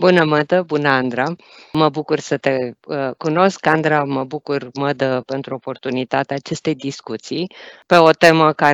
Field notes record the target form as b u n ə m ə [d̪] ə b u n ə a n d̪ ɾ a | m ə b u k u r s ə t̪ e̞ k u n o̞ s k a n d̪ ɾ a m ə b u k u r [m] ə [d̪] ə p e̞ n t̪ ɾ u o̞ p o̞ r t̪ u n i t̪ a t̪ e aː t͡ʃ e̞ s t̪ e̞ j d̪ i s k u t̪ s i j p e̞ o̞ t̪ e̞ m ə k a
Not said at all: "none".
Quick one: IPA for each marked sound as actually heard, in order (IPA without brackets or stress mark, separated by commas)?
d̪, m, d̪